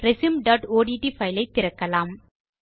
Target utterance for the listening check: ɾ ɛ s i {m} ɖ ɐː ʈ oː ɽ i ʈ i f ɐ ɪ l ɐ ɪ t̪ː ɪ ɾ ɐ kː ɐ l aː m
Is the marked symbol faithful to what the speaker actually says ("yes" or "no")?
yes